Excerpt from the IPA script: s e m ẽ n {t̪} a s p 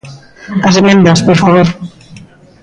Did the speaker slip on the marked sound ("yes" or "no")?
yes